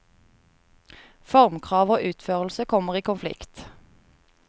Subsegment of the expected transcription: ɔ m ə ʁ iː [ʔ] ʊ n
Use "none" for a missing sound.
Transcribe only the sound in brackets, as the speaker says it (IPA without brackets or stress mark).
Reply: k